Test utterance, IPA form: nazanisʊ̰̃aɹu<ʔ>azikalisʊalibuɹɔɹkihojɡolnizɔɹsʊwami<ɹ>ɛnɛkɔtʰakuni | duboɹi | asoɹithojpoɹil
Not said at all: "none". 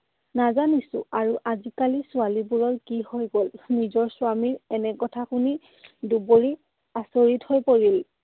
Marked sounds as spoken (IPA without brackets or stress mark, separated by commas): ʔ, ɹ